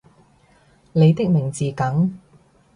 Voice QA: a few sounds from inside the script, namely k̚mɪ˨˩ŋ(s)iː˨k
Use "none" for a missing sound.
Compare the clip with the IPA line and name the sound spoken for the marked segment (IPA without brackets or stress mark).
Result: t͡s